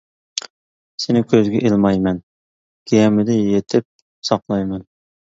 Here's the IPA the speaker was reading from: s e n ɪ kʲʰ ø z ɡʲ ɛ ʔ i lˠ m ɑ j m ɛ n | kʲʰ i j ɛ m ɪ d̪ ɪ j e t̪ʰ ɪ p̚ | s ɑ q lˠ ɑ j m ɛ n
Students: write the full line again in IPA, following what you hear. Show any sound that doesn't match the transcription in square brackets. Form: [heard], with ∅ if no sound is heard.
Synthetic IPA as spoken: s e n ɪ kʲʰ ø z ɡʲ ɛ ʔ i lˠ m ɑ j m ɛ n | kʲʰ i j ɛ m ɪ d̪ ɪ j e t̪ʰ ɪ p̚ | s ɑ q lˠ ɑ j m ɛ n